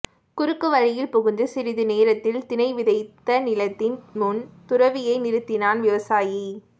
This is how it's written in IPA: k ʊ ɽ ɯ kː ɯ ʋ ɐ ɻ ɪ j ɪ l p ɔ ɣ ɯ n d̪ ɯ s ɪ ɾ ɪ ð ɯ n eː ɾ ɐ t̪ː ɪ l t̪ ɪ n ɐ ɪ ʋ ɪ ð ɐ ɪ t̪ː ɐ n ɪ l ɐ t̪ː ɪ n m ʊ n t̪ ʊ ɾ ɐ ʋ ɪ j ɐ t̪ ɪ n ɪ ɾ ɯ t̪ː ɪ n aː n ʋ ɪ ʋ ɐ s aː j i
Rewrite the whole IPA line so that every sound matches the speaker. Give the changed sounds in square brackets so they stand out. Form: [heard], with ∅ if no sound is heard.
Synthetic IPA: k ʊ [ɾ] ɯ kː ɯ ʋ ɐ ɻ ɪ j ɪ l p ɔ ɣ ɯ n d̪ ɯ s ɪ ɾ ɪ ð ɯ n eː ɾ ɐ t̪ː ɪ l t̪ ɪ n ɐ ɪ ʋ ɪ ð ɐ ɪ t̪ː ɐ n ɪ l ɐ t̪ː ɪ n m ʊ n t̪ ʊ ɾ ɐ ʋ ɪ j ɐ [∅] ɪ n ɪ ɾ ɯ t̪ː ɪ n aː n ʋ ɪ ʋ ɐ s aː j i